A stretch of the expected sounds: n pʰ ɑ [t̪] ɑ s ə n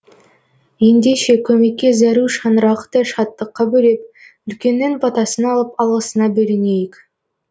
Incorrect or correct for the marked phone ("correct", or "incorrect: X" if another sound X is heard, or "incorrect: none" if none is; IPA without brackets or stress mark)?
correct